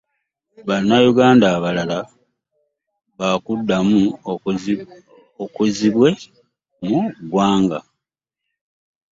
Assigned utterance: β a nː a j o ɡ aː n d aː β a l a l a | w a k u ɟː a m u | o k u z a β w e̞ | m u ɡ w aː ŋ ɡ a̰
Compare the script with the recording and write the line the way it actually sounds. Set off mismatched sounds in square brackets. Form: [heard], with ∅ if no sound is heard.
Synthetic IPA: β a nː a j [u] ɡ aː n d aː β a l a l a | [β] a k u [dː] a m u | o k u z [i] β w e̞ | m u ɡ w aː ŋ ɡ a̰